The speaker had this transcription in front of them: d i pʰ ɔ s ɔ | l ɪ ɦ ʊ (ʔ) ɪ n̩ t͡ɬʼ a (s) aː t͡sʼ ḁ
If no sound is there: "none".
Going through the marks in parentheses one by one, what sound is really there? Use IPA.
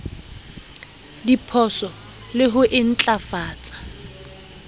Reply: ʔ, f

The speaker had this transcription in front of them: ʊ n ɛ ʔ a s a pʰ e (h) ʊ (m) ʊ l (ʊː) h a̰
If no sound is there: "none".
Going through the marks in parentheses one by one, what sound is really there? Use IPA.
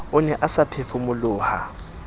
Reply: f, m, ʊː

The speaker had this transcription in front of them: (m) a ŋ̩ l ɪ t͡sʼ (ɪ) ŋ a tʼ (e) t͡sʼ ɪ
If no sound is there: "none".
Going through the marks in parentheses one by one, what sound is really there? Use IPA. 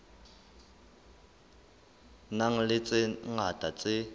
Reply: n, ɪ, a

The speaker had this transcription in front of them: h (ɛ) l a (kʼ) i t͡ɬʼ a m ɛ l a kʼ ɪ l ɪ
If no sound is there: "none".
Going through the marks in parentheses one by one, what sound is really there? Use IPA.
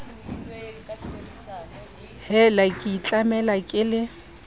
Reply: ɛ, kʼ

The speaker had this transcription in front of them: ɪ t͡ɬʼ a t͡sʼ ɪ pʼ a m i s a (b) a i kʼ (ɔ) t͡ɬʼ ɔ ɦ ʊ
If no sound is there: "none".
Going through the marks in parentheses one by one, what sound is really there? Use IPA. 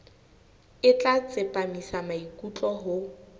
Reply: m, u

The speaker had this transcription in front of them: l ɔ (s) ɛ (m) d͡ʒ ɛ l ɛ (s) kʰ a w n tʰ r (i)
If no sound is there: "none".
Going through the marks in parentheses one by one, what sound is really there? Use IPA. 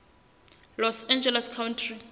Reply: s, n, s, i

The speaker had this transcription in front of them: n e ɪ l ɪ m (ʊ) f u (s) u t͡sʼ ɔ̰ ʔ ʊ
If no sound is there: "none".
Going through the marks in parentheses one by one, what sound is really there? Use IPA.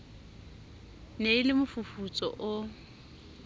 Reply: ʊ, f

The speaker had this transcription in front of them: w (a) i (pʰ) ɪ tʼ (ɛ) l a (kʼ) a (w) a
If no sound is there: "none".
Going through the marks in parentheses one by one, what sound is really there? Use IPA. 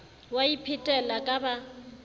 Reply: a, pʰ, ɛ, kʼ, b

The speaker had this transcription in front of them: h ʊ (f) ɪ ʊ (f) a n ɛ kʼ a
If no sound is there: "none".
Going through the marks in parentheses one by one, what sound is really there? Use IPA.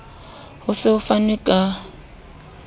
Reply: s, f

